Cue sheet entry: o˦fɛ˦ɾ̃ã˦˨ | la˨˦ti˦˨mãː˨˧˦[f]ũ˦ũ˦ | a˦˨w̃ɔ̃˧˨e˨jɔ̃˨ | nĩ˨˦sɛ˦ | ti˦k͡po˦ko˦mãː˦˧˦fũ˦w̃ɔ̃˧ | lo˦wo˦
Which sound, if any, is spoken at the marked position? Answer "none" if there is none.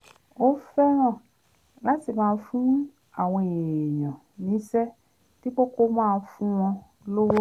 f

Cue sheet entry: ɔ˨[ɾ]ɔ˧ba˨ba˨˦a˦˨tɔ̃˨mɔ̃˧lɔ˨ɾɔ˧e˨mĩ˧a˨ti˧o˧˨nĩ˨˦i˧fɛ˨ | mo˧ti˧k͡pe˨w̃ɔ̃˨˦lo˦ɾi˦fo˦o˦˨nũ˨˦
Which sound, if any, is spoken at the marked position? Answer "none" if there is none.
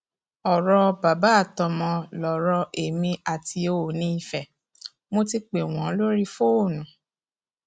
ɾ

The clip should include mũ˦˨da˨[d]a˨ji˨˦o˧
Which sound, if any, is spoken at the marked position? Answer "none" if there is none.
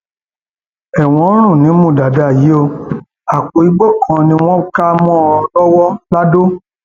d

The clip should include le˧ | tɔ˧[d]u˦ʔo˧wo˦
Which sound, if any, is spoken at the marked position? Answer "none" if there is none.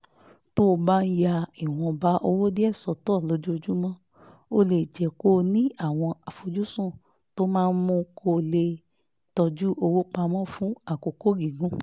d͡ʒ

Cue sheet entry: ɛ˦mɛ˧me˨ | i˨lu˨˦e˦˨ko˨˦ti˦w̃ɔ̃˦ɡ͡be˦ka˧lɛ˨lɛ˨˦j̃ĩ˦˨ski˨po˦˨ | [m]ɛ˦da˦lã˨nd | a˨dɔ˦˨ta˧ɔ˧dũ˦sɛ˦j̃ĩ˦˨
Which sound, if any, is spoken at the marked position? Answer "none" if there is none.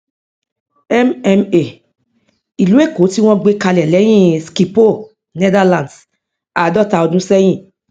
n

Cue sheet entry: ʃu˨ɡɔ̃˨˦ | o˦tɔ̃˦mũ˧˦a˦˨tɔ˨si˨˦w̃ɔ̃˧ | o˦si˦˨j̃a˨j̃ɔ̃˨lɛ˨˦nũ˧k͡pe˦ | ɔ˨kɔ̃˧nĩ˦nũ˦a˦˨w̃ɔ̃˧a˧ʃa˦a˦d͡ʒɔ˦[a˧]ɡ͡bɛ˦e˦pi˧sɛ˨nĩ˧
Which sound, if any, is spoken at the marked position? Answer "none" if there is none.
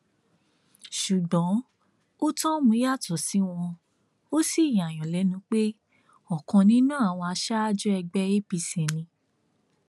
ɛ˧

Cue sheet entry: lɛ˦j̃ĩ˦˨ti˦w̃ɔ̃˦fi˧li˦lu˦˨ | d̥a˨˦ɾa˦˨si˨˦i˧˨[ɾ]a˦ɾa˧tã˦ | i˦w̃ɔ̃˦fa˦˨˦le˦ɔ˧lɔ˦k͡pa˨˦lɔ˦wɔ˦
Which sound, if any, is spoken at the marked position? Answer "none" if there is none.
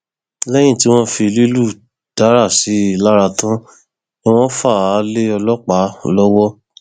l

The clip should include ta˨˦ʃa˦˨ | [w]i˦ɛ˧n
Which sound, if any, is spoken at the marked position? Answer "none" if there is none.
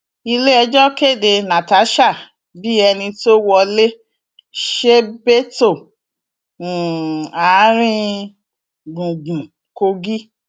b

